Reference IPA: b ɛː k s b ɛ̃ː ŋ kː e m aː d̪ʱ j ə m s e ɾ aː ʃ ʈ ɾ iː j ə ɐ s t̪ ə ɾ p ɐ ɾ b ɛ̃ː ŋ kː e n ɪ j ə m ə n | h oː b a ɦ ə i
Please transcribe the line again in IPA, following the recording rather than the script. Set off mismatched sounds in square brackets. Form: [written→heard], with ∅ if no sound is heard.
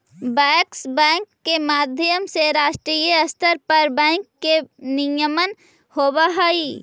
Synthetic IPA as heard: b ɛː k s b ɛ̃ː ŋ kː e m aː d̪ʱ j ə m s e ɾ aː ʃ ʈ ɾ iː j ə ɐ s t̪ ə ɾ p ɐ ɾ b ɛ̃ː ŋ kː e n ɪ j ə m ə n | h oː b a ɦ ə i